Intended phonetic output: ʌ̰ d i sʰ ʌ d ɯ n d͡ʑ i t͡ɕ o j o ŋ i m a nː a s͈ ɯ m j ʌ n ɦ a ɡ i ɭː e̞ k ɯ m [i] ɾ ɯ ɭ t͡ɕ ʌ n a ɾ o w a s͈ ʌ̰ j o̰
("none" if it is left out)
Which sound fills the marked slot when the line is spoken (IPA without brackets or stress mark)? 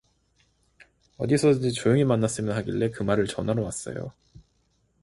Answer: a